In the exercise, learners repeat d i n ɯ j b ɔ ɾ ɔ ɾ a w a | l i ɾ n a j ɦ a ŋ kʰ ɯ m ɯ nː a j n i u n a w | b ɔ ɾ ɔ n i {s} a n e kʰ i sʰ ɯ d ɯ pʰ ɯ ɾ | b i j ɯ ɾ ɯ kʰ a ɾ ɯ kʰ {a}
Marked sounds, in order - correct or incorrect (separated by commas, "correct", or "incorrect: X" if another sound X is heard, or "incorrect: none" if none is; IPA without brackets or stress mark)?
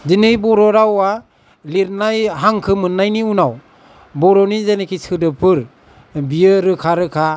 incorrect: z, correct